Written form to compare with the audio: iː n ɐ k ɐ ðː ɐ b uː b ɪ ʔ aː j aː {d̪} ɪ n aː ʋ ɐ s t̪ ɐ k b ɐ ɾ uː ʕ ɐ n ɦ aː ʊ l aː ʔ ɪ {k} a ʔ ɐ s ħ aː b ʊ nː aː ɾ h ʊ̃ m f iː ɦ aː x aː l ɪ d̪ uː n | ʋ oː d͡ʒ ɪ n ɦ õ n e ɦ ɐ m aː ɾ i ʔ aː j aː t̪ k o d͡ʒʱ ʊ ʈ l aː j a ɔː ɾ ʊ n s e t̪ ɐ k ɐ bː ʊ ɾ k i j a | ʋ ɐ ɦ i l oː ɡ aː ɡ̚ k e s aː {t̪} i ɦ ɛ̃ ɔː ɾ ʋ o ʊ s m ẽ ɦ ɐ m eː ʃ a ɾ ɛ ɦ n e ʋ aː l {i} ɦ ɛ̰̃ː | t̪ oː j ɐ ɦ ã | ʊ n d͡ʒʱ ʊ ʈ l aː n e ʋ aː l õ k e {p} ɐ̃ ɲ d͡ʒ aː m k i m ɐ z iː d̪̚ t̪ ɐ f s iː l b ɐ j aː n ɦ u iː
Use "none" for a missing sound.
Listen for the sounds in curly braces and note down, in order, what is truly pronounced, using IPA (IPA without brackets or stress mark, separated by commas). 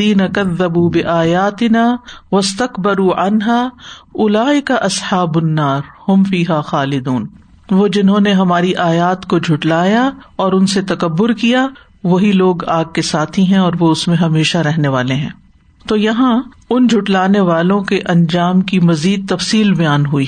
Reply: t̪, k, t̪ʰ, e, ʔ